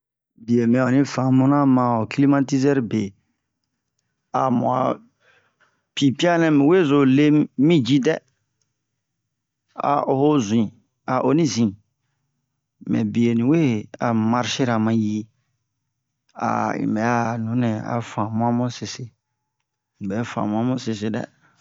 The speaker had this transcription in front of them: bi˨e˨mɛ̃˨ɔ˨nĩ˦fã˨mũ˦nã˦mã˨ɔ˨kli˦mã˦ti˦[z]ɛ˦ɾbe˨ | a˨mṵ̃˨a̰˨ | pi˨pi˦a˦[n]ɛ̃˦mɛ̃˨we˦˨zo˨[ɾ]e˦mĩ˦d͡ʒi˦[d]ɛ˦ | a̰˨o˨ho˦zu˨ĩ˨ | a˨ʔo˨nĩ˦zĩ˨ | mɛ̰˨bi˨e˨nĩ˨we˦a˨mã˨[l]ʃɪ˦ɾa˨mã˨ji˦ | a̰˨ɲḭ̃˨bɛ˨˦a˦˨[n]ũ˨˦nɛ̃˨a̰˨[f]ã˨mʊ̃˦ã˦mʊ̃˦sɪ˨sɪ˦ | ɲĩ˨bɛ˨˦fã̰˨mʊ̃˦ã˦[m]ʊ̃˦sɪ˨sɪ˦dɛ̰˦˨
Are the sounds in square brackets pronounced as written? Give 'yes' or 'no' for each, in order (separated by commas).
yes, yes, no, yes, no, yes, yes, yes